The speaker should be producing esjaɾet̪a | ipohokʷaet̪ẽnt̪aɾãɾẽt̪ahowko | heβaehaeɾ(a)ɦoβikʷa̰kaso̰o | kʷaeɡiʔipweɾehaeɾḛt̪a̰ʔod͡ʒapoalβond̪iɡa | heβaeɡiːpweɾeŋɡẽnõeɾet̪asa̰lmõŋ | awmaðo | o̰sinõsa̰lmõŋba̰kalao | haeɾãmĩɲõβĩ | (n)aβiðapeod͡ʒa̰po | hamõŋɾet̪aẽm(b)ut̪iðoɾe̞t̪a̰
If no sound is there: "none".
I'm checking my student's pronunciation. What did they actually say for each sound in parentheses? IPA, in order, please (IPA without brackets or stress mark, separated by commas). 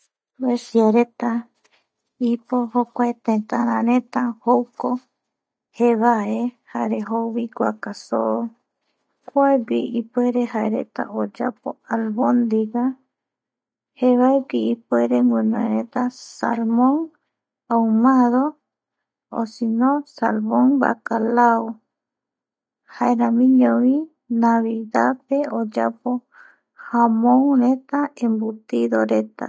e, n, b